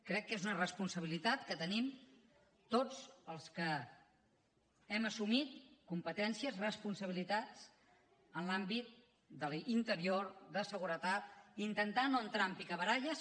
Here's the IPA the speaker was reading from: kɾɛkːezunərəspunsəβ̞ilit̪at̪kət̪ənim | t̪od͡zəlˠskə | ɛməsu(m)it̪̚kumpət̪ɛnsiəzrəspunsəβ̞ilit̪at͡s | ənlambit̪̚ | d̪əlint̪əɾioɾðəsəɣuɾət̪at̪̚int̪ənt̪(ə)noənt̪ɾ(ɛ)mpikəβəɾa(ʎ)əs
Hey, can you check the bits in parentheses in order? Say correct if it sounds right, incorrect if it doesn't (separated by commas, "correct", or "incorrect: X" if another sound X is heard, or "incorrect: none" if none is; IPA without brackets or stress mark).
correct, incorrect: a, incorrect: a, correct